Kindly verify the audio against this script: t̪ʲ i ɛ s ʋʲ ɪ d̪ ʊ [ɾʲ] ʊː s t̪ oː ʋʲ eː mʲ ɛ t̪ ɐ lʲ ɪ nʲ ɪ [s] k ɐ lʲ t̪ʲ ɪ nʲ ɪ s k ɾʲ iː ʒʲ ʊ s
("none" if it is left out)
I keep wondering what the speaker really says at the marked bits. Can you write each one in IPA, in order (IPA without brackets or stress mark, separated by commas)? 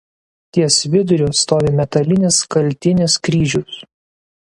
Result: ɾʲ, s